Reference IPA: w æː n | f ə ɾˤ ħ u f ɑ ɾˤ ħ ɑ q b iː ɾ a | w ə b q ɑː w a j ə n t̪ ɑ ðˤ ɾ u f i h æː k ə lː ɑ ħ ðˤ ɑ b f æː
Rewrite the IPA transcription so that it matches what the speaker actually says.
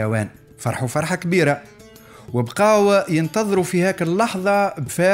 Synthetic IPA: w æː n | f ɑ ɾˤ ħ u f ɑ ɾˤ ħ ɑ k b iː ɾ a | w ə b q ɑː w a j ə n t̪ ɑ ðˤ ɾ u f i h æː k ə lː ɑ ħ ðˤ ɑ b f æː

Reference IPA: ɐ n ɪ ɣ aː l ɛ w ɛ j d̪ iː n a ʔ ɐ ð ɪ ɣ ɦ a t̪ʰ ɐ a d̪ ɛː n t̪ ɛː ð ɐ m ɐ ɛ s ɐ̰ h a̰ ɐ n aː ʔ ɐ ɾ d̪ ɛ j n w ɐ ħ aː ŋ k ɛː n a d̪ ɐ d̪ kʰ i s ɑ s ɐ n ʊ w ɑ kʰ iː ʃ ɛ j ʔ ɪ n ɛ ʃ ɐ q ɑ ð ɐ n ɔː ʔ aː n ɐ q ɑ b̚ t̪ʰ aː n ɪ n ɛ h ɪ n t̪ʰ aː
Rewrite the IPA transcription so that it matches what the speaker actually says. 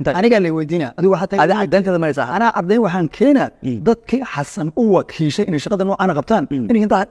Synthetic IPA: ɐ n ɪ ɣ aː l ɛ w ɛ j d̪ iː n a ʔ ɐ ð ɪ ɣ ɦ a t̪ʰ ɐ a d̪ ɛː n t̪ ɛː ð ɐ m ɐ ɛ s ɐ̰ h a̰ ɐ n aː ʔ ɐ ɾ d̪ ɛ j n w ɑ ħ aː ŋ kʰ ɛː n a d̪ ɐ d̪ kʰ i ħ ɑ s ɐ n ʊ w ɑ kʰ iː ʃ ɛ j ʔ ɪ n ɛ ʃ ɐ q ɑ ð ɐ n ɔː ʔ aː n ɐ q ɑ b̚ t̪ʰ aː n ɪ n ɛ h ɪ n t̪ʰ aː

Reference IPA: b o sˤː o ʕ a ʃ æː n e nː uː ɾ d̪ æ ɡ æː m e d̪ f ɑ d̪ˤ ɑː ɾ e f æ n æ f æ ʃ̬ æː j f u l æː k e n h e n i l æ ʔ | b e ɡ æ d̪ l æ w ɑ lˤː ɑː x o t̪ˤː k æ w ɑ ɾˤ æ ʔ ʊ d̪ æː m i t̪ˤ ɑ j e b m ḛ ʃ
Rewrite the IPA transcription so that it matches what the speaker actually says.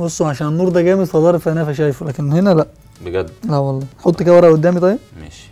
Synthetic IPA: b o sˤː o ʕ a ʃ æː n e nː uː ɾ d̪ æ ɡ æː m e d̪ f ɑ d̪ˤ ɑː ɾ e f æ n æ f æ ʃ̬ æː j f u l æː k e n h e n æ l æ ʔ | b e ɡ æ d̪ l æ w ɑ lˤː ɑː ħ o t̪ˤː k æ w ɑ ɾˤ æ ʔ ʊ d̪ː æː m i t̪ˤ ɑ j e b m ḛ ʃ

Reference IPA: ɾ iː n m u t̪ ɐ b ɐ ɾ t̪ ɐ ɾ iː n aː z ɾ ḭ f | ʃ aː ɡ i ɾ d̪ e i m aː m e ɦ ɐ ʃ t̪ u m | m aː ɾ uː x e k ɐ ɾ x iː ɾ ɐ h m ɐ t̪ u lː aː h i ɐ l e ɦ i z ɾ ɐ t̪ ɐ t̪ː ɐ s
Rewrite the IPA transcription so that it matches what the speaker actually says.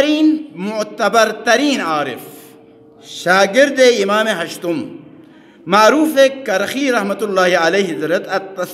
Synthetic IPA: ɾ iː n m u t̪ ɐ b ɐ ɾ t̪ ɐ ɾ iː n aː ɾ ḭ f | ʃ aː ɡ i ɾ d̪ e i m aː m e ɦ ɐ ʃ t̪ u m | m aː ɾ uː f e k ɐ ɾ x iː ɾ ɐ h m ɐ t̪ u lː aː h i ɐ l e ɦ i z ɾ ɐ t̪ ɐ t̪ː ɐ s

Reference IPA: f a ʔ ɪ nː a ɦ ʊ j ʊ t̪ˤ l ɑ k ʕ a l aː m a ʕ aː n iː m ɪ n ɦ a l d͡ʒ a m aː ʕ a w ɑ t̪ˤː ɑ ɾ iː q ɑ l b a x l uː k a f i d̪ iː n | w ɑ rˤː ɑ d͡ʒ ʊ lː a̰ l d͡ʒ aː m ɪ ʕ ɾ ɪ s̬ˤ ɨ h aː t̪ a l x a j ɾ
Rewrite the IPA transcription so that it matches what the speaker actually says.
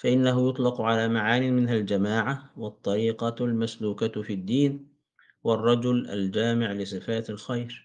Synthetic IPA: f a ʔ ɪ nː a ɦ ʊ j ʊ t̪ˤ l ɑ q ʕ a l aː m a ʕ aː n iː m ɪ n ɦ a l d͡ʒ a m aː ʕ a w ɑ t̪ˤː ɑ ɾ iː q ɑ l m a s l uː k a f i d̪ː iː n | w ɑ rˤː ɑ d͡ʒ ʊ l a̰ l d͡ʒ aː m ɪ ʕ l ɪ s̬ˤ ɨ f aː t̪ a l x a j ɾ

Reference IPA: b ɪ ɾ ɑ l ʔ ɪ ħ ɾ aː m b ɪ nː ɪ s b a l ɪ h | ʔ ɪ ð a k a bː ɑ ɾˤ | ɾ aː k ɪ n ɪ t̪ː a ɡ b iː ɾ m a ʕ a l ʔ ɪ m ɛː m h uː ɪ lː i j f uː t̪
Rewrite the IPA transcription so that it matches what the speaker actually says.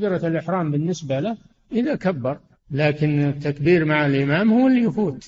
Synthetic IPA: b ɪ ɾ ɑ l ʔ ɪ ħ ɾ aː m b ɪ nː ɪ s b a l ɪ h | ʔ ɪ ð a k a bː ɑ ɾˤ | l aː k ɪ n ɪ t̪ː a k b iː ɾ m a ʕ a l ʔ ɪ m aː m h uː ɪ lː i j f uː t̪

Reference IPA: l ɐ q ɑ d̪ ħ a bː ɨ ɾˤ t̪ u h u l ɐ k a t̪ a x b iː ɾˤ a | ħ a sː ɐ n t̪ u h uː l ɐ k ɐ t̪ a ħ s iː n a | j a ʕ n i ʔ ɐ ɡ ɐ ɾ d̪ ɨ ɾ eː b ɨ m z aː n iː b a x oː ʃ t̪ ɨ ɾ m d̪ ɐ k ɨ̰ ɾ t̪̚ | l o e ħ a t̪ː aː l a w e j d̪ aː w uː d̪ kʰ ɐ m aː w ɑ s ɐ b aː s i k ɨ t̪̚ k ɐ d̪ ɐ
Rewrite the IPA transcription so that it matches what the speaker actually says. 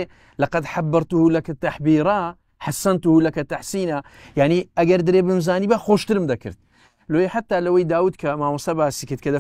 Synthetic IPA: l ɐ q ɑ d̪ ħ a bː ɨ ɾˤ t̪ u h u l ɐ k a t̪ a ħ b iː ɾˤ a | ħ a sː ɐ n t̪ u h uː l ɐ k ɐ t̪ a ħ s iː n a | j a ʕ n i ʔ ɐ ɡ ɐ ɾ d̪ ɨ ɾ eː b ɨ m z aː n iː b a x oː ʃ t̪ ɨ ɾ m d̪ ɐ k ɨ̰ ɾ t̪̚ | l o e ħ a t̪ː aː l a w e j d̪ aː w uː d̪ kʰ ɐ m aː w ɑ s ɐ b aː s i k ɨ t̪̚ k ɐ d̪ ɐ

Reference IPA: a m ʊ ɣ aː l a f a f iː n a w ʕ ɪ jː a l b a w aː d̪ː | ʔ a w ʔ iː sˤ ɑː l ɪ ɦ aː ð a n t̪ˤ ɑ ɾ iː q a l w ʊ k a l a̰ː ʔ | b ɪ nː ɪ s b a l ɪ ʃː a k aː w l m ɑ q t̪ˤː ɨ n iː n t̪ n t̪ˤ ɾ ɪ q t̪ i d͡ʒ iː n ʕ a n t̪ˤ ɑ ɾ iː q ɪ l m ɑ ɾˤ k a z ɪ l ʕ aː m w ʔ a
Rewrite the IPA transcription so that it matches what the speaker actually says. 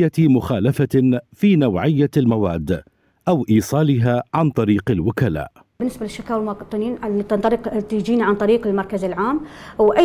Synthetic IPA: a m ʊ x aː l a f a f iː n a w ʕ ɪ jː a l m a w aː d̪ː | ʔ a w ʔ iː sˤ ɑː l ɪ ɦ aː ʕ a n t̪ˤ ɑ ɾ iː q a l w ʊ k a l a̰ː ʔ | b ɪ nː ɪ s b a l ɪ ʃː a k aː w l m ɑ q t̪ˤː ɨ n iː n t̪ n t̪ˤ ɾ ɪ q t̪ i d͡ʒ iː n ʕ a n t̪ˤ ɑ ɾ iː q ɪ l m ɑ ɾˤ k a z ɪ l ʕ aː m w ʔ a

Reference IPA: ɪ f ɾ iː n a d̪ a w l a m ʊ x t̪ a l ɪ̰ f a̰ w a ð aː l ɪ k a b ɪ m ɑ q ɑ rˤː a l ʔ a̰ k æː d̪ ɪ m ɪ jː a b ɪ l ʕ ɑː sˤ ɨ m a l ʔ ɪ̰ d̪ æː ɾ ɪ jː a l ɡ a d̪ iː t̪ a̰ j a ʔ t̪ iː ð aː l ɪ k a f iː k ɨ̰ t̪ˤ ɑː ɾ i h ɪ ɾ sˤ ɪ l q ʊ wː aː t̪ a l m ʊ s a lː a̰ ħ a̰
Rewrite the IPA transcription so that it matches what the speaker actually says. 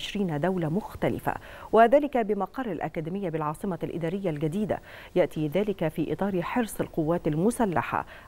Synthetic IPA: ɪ ʃ ɾ iː n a d̪ a w l a m ʊ x t̪ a l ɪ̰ f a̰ w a ð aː l ɪ k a b ɪ m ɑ q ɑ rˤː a l ʔ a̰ k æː d̪ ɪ m ɪ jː a b ɪ l ʕ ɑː sˤ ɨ m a l ʔ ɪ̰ d̪ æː ɾ ɪ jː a l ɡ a d̪ iː d̪ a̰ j a ʔ t̪ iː ð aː l ɪ k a f iː ʔ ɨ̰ t̪ˤ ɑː ɾ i ħ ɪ ɾ sˤ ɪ l q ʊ wː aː t̪ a l m ʊ s a lː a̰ ħ a̰

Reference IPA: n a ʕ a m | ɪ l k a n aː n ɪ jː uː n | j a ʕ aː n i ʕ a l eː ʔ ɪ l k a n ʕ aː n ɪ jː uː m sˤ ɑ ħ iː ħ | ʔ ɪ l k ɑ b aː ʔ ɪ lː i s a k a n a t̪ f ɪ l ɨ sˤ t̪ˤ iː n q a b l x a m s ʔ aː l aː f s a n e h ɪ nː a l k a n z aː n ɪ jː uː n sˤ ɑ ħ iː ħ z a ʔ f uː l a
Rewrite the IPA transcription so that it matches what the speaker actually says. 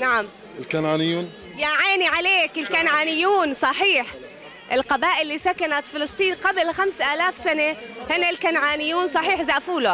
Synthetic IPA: n a ʕ a m | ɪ l k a n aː n ɪ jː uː n | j a ʕ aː n i ʕ a l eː k ɪ l k a n ʕ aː n ɪ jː uː n sˤ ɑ ħ iː ħ | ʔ ɪ l q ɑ b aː ʔ ɪ lː i s a k a n a t̪ f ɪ l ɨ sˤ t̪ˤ iː n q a b l x a m s ʔ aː l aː f s a n e h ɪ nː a l k a n ʕ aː n ɪ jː uː n sˤ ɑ ħ iː ħ z a ʔ f uː l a

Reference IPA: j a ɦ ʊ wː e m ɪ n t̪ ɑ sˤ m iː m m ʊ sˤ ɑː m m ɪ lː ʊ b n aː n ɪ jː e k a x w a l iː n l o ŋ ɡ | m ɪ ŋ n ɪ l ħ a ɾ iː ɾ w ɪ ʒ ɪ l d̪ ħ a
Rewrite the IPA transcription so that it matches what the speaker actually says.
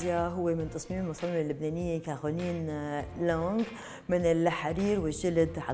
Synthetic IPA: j a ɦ ʊ wː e m ɪ n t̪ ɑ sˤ m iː m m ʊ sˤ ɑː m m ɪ lː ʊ b n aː n ɪ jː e k a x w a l iː n l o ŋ ɡ | m ɪ n ɪ l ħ a ɾ iː ɾ w ɪ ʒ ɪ l d̪ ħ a

